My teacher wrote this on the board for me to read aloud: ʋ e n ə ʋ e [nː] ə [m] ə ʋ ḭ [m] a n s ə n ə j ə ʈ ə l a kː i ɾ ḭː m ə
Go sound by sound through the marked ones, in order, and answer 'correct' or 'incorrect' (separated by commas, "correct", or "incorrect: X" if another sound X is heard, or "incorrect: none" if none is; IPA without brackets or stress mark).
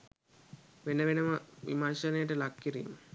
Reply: incorrect: n, correct, correct